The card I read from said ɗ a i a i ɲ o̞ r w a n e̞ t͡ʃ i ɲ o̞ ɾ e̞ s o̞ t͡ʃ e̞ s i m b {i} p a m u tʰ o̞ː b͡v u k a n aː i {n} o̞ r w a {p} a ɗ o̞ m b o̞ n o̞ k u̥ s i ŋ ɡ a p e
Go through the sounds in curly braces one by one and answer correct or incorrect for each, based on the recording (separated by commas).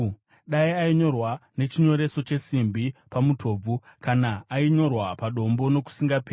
correct, incorrect, correct